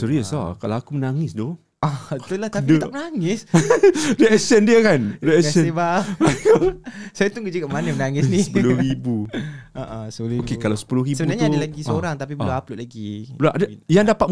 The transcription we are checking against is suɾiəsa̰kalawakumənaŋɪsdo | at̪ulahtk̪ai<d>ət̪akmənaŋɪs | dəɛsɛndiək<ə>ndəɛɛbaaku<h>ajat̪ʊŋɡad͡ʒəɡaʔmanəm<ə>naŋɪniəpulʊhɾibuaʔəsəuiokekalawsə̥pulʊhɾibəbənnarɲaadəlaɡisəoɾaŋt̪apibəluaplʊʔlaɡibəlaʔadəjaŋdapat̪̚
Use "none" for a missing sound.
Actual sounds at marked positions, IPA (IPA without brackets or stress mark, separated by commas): d, a, s, ə